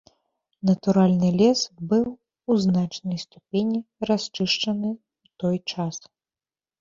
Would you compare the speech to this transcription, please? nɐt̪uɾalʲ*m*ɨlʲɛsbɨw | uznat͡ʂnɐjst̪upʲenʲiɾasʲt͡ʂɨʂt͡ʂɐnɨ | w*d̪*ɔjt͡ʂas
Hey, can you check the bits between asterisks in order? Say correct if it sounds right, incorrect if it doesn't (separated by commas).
incorrect, incorrect